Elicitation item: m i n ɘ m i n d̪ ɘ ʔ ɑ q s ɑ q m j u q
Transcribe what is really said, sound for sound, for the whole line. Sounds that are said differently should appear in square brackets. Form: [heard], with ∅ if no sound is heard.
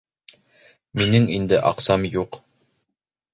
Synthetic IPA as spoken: m i n ɘ [ŋ] i n d̪ ɘ ʔ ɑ q s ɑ [∅] m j u q